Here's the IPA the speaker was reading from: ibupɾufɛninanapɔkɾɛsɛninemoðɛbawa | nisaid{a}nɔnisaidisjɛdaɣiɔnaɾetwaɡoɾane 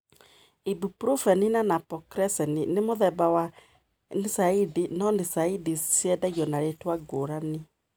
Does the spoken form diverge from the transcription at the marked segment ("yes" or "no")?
yes